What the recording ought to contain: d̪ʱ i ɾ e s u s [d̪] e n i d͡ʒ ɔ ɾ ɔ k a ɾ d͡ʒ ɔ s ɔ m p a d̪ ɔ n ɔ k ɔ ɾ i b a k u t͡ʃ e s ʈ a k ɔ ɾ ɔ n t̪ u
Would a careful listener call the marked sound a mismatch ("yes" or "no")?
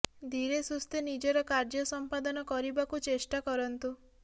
yes